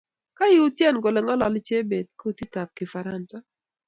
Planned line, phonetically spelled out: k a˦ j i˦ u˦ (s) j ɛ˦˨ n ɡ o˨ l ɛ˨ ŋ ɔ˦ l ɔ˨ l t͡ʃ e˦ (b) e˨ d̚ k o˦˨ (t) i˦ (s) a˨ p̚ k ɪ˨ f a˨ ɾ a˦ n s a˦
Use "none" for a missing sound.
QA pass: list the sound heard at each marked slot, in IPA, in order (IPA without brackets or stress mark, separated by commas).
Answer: t, b, t, t